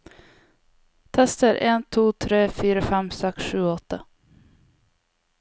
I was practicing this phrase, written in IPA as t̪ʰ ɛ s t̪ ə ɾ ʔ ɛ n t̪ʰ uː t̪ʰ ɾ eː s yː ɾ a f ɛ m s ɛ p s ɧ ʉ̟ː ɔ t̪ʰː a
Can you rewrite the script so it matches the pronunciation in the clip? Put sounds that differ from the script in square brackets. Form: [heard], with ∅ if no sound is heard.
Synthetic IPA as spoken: t̪ʰ ɛ s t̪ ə ɾ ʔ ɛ n t̪ʰ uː t̪ʰ ɾ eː [f] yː ɾ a f ɛ m s ɛ [k] s ɧ ʉ̟ː ɔ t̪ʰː a